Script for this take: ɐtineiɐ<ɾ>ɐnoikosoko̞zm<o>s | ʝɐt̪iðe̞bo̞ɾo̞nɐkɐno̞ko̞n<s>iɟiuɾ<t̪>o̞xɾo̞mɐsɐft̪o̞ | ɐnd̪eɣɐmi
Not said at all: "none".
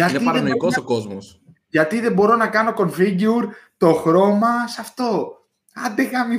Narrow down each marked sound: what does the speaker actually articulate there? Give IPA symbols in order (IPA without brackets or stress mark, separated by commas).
ɾ, o, f, t̪